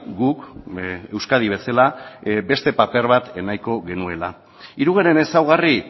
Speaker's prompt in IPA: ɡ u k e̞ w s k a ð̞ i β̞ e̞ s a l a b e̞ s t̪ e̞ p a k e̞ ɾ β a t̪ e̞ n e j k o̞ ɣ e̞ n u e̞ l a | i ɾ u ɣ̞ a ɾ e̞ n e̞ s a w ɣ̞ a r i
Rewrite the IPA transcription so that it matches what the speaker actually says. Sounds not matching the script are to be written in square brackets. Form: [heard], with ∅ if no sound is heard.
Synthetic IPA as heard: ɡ u k e̞ w s k a ð̞ i β̞ e̞ s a l a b e̞ s t̪ e̞ p a [p] e̞ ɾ β a t̪ e̞ n [a] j k o̞ ɣ e̞ n u e̞ l a | i ɾ u ɣ̞ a ɾ e̞ n e̞ s a w ɣ̞ a r i